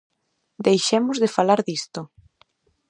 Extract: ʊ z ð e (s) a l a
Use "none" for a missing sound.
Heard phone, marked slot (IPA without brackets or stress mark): f